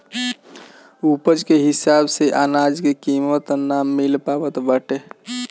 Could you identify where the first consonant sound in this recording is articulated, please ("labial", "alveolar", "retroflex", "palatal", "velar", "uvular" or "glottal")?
labial